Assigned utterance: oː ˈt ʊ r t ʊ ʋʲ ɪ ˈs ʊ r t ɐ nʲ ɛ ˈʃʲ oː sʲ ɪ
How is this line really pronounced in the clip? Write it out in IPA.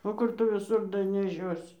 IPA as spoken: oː ˈk ʊ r t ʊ ʋʲ ɪ ˈs ʊ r d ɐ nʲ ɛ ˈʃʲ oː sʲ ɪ